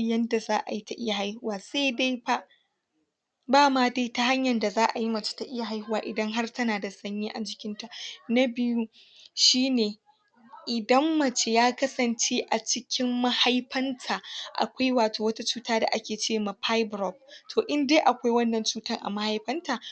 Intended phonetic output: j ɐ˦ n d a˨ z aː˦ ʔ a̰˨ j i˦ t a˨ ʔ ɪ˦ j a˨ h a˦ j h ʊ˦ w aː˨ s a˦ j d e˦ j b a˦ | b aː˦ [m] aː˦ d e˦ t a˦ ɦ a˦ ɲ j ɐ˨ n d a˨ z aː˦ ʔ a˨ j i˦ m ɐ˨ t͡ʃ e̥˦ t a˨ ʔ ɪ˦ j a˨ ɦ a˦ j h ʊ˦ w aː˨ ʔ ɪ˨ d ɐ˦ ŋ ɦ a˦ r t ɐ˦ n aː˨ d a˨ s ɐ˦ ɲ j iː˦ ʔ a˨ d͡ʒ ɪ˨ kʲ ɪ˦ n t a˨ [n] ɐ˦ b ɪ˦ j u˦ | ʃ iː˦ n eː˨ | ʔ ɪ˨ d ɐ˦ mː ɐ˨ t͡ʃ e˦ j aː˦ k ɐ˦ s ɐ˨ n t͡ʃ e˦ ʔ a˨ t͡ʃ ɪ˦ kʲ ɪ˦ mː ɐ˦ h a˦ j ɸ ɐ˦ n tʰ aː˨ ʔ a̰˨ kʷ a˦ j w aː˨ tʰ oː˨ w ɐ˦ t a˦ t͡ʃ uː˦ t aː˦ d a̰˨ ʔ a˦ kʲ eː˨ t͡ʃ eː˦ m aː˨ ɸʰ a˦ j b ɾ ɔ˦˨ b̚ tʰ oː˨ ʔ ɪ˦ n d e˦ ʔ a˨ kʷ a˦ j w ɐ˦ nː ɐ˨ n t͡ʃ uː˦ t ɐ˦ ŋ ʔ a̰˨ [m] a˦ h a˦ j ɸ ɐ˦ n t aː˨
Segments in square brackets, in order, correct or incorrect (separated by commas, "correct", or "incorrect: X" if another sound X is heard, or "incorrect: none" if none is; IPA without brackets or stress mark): correct, correct, correct